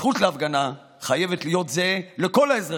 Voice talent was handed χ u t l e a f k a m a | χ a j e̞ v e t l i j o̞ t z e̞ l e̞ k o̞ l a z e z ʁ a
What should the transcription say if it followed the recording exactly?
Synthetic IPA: χ u t l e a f ɡ a n a | χ a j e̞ v e t l i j o̞ t z e̞ l e̞ k o̞ l a e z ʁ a